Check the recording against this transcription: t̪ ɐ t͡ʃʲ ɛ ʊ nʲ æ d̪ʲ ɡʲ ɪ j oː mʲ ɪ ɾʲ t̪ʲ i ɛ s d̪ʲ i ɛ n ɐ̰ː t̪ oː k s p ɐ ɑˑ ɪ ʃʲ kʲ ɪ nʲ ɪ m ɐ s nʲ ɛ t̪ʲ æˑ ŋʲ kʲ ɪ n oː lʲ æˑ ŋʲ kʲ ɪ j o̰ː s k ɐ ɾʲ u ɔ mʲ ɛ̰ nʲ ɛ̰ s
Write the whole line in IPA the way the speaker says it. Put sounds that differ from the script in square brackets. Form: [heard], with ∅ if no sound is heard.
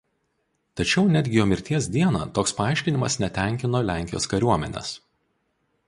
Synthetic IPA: t̪ ɐ t͡ʃʲ ɛ ʊ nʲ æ d̪ʲ ɡʲ ɪ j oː mʲ ɪ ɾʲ t̪ʲ i ɛ s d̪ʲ i ɛ n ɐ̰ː t̪ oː k s p ɐ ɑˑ ɪ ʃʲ kʲ ɪ nʲ ɪ m ɐ s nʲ ɛ t̪ʲ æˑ ŋʲ kʲ ɪ n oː lʲ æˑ ŋʲ kʲ ɪ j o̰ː s k ɐ ɾʲ u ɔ mʲ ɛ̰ nʲ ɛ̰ s